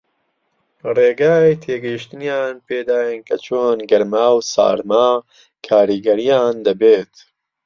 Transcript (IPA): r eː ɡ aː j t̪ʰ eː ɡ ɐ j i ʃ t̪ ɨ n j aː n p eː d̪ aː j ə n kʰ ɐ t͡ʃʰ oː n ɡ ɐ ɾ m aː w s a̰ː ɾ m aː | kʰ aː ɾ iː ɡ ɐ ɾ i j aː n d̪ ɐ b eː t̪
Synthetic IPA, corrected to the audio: r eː ɡ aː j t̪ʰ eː ɡ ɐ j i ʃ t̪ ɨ n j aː n p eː d̪ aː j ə n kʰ ɐ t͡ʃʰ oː n ɡ ɐ ɾ m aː w s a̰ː ɾ m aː | kʰ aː ɾ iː ɡ ɐ ɾ i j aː n d̪ ɐ b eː t̪